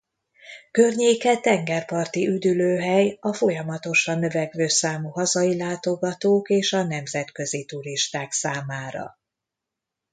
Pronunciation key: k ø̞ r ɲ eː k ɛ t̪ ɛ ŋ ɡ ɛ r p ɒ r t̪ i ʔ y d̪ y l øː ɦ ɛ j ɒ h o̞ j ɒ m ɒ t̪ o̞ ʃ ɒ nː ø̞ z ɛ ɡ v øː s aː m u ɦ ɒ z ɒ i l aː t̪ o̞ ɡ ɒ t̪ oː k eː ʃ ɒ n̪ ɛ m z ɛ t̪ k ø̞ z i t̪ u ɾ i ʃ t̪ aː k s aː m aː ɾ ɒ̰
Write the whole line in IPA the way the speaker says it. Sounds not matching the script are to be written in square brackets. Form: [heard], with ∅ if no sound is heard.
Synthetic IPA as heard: k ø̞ r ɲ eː k ɛ t̪ ɛ ŋ ɡ ɛ r p ɒ r t̪ i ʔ y d̪ y l øː ɦ ɛ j ɒ [f] o̞ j ɒ m ɒ t̪ o̞ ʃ ɒ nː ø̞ [v] ɛ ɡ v øː s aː m u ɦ ɒ z ɒ i l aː t̪ o̞ ɡ ɒ t̪ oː k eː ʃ ɒ n̪ ɛ m z ɛ t̪ k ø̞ z i t̪ u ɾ i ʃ t̪ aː k s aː m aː ɾ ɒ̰